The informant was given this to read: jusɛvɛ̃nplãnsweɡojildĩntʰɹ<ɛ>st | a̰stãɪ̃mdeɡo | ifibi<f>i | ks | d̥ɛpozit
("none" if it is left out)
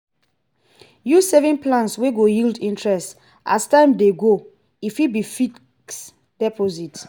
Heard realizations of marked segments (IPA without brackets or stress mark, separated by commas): ɛ, f